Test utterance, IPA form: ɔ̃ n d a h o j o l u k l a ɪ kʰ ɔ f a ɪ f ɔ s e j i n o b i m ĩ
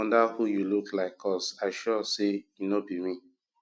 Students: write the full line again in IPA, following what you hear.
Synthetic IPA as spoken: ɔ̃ n d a h u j u l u k l a ɪ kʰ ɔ s a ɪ ʃ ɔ s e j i n o b i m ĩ